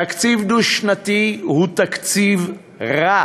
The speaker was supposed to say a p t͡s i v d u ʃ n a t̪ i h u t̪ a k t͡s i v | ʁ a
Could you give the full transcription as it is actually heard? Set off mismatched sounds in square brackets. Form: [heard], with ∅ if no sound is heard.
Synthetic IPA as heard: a [k] t͡s i v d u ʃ n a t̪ i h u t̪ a k t͡s i v | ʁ a